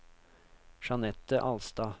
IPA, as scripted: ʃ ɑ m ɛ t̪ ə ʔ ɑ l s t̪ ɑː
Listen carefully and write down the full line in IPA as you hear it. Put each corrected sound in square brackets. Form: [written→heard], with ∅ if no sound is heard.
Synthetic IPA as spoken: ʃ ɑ [m→n] ɛ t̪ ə ʔ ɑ l s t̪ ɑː